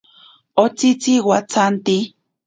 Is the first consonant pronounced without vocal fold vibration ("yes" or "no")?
yes